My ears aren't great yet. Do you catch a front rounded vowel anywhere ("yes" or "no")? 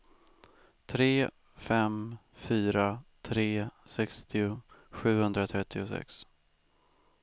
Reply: yes